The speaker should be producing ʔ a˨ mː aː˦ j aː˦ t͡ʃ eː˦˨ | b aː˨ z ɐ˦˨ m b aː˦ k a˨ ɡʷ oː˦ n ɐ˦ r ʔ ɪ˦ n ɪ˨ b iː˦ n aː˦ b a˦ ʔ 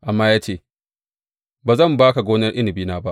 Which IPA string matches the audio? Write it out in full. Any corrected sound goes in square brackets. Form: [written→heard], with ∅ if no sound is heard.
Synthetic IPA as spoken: ʔ a˨ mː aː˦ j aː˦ t͡ʃ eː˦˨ | b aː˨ z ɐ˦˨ m b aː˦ k a˨ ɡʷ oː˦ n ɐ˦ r ʔ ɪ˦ n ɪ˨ b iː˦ n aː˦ b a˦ ʔ